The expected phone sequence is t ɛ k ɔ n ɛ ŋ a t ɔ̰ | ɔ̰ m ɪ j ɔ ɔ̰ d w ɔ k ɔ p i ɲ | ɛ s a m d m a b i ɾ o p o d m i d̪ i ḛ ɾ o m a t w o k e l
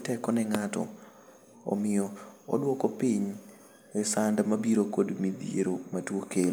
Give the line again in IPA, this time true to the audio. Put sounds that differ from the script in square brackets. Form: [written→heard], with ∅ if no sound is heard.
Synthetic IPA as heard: t ɛ k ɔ n ɛ ŋ a t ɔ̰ | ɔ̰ m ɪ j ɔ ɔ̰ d w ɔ k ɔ p i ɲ | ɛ s a [m→n] d m a b i ɾ o [p→k] o d m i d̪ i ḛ ɾ o m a t w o k e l